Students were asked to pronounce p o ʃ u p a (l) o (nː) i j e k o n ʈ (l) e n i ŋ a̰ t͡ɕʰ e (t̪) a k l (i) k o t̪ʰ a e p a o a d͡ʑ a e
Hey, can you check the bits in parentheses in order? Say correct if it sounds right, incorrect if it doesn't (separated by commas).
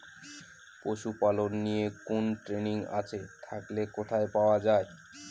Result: correct, correct, incorrect, incorrect, incorrect